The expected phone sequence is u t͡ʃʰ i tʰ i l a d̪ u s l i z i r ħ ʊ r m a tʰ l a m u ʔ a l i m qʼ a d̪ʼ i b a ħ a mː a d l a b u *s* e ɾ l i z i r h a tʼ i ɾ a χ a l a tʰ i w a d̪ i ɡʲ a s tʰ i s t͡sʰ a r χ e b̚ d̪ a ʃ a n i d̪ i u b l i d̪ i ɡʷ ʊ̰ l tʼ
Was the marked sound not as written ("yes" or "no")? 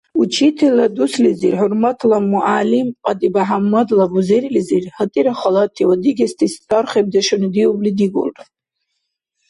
yes